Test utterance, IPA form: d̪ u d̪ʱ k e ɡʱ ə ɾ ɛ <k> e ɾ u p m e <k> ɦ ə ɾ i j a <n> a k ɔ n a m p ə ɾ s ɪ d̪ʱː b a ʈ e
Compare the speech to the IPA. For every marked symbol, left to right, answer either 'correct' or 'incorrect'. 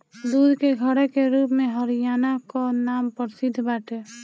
correct, incorrect: none, correct

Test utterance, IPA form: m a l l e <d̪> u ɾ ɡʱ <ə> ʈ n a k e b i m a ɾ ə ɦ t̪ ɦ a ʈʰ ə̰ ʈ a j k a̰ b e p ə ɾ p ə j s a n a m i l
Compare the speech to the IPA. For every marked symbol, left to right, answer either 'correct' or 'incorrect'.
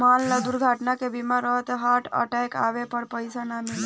correct, incorrect: a

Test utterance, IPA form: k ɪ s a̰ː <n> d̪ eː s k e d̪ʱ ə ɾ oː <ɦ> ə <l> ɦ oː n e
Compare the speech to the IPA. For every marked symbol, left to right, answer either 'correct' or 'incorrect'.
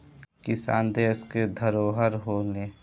correct, correct, incorrect: ɾ

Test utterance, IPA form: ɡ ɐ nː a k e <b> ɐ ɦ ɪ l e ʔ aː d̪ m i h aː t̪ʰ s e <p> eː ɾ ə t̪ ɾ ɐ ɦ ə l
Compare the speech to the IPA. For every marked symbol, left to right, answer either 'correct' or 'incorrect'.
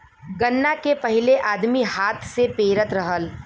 incorrect: p, correct

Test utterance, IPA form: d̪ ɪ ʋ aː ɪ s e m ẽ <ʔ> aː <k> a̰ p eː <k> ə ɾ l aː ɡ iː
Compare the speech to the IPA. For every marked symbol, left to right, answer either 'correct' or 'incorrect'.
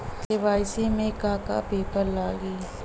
incorrect: k, correct, incorrect: p

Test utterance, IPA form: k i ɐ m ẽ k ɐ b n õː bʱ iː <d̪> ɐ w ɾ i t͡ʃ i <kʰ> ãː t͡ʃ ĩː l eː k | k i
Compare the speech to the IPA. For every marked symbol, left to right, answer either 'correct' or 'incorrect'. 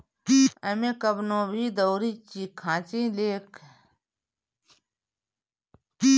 correct, correct

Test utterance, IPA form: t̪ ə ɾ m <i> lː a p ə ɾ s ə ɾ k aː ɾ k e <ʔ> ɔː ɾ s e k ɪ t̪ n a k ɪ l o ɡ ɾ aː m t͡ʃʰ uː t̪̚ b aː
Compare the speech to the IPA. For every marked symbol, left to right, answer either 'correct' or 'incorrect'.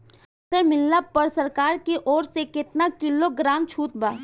incorrect: ɪ, correct

